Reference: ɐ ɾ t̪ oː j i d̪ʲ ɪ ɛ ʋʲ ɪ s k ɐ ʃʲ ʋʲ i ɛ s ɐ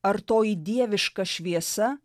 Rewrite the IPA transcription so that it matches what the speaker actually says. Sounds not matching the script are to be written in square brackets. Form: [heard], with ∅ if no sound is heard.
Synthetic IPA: ɐ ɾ t̪ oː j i d̪ʲ [i] ɛ ʋʲ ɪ [ʃ] k ɐ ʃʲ ʋʲ i ɛ s ɐ